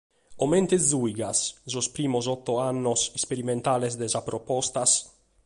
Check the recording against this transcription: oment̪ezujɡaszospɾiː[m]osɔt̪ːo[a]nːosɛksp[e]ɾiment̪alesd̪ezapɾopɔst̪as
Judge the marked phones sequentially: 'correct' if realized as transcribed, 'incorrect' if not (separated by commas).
correct, correct, correct